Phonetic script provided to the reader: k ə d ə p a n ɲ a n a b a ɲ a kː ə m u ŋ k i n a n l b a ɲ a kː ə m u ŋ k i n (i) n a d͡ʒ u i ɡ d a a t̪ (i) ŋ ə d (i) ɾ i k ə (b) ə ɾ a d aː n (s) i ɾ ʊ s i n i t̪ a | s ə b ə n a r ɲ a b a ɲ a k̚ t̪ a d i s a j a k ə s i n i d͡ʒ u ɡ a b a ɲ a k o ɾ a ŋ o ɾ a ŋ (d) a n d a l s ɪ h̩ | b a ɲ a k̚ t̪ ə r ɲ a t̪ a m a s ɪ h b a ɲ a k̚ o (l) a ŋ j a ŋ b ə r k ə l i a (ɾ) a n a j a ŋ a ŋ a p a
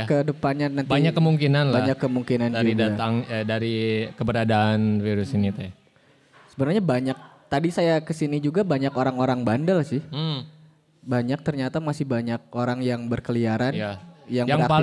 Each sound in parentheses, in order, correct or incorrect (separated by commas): incorrect, incorrect, incorrect, correct, incorrect, incorrect, incorrect, correct